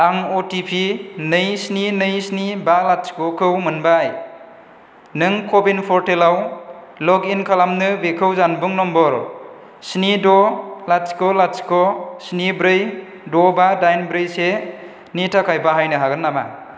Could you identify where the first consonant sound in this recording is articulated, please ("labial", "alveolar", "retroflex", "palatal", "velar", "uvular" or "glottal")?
velar